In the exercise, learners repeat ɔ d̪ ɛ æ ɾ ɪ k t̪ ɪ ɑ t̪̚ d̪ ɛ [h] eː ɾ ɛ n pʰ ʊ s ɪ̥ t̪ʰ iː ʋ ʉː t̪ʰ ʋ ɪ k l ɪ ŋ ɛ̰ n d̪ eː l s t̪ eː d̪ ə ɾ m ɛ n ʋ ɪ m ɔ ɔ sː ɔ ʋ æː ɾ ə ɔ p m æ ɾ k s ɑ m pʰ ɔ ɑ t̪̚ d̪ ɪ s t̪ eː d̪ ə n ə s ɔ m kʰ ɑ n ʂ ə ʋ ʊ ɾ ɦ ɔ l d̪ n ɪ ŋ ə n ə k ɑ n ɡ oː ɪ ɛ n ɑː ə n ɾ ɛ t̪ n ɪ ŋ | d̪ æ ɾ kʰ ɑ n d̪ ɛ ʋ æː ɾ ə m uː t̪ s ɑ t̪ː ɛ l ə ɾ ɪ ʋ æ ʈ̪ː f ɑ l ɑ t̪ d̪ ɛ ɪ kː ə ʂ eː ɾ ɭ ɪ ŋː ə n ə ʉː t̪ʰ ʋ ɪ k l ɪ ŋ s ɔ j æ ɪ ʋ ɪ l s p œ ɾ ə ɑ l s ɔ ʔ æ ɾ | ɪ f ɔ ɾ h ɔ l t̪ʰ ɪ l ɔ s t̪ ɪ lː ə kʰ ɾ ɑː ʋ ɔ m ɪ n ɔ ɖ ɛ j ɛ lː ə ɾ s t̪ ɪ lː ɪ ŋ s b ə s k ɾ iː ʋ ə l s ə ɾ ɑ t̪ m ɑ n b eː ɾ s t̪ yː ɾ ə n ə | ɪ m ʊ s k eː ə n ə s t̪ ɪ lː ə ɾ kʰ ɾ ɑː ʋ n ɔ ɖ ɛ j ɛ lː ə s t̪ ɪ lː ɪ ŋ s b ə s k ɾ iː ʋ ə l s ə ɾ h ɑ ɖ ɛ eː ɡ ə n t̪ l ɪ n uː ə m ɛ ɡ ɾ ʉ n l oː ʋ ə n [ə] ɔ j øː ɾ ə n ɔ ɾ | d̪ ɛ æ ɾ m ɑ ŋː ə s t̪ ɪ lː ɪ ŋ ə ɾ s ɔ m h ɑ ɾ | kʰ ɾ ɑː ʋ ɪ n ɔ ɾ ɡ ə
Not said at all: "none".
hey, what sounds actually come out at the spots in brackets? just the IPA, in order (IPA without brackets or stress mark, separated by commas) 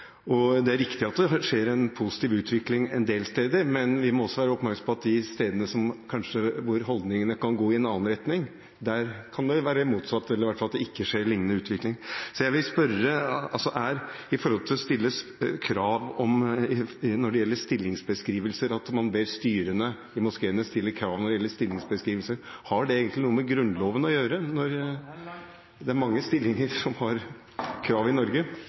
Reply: ʂ, ə